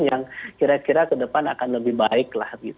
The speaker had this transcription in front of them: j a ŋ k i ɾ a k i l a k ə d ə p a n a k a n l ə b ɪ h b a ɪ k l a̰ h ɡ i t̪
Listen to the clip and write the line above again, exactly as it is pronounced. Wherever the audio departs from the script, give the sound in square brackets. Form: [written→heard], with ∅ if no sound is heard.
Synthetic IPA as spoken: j a ŋ k i ɾ a k i [l→ɾ] a k ə d ə p a n a k a n l ə b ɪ h b a ɪ k l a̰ h ɡ i t̪